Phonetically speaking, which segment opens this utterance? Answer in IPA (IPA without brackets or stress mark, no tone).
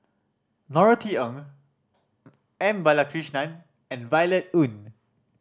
n